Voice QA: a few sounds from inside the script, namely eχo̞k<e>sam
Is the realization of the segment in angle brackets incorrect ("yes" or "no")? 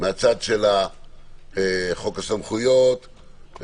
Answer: yes